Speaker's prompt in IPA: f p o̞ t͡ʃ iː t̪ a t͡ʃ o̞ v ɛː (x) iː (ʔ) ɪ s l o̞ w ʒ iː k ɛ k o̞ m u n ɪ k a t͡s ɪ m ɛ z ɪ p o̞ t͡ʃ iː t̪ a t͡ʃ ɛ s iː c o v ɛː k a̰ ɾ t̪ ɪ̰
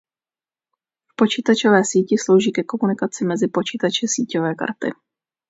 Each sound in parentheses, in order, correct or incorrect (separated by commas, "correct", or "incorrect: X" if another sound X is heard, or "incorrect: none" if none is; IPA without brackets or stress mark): incorrect: s, incorrect: c